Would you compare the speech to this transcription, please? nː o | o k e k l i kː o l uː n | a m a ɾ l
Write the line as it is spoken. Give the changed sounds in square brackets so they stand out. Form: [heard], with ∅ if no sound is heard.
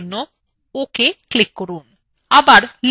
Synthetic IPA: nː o | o k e k l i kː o [ɾ] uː n | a [b] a ɾ l